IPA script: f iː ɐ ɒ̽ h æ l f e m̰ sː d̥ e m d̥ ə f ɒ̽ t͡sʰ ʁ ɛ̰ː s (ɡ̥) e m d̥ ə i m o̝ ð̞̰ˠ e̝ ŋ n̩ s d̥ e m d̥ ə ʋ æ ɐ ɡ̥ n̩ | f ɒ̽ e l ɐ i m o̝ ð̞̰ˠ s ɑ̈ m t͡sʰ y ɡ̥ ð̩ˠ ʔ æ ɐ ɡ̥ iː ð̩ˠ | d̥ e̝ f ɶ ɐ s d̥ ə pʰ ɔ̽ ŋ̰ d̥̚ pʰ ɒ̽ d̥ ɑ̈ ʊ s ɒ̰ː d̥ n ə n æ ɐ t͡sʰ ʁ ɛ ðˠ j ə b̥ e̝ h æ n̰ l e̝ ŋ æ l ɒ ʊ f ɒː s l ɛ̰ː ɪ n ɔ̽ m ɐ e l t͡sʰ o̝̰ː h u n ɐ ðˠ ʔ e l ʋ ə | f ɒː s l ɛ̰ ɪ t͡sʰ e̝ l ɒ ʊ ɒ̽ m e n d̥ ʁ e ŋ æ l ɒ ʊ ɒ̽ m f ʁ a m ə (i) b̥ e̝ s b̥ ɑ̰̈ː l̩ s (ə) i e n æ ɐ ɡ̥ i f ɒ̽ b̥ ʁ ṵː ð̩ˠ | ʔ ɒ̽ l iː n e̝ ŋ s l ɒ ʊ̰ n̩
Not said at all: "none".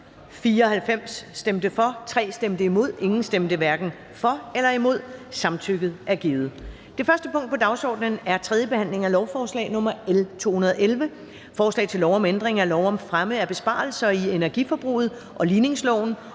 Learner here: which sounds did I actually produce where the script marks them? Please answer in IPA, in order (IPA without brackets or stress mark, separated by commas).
d̥, æ, ɐ